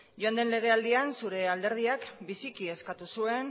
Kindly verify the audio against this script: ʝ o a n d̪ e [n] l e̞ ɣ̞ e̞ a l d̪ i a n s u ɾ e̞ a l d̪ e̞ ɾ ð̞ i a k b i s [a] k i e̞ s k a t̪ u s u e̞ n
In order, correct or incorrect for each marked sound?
correct, incorrect: i

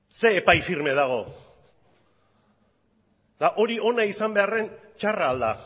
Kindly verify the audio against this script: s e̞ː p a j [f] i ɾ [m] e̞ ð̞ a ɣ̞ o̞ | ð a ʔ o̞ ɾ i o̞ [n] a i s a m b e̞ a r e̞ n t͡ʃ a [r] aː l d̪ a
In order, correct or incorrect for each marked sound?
correct, correct, correct, correct

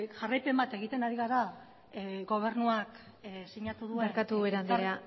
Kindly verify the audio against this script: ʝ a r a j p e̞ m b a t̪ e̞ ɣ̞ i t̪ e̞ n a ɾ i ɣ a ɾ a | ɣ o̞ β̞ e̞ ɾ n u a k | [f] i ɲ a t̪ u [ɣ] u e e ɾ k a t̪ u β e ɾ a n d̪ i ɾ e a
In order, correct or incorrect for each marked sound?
incorrect: s, incorrect: ð

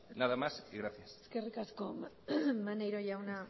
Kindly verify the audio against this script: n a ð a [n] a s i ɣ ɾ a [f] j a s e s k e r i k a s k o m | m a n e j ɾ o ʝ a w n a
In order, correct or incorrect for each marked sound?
incorrect: m, incorrect: θ

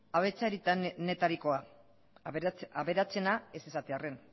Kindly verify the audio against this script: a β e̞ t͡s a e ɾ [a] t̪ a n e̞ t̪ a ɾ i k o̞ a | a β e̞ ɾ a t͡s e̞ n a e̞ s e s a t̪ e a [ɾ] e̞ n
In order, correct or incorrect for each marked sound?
incorrect: i, incorrect: r

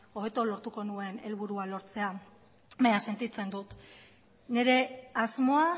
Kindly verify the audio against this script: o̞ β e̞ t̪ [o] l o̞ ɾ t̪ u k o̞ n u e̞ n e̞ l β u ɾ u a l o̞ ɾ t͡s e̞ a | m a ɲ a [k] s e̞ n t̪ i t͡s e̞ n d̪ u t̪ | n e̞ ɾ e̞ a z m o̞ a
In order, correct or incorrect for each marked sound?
correct, incorrect: none

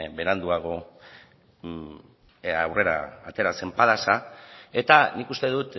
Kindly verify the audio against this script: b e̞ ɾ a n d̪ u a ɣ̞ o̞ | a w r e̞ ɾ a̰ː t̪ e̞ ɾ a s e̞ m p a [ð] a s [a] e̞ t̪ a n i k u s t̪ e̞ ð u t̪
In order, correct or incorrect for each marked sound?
correct, correct

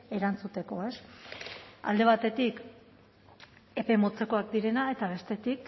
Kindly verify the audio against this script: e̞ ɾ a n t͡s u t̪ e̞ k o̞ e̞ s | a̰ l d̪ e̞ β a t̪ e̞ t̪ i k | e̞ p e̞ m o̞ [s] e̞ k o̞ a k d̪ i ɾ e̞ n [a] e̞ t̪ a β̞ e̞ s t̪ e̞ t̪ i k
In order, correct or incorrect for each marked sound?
incorrect: t͡s, correct

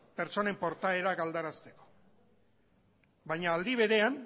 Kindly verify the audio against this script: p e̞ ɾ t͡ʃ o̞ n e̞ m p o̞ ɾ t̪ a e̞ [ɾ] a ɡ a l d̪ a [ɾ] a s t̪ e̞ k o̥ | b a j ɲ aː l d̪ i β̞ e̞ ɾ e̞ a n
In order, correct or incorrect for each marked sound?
correct, correct

